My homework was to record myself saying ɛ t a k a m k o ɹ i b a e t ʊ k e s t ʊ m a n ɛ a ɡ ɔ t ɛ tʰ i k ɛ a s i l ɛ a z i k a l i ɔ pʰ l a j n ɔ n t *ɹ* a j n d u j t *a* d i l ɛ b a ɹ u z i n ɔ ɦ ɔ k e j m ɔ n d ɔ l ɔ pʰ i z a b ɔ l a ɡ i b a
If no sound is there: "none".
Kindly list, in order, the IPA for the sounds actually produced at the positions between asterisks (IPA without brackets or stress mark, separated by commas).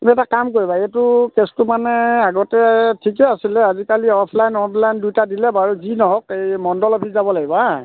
l, a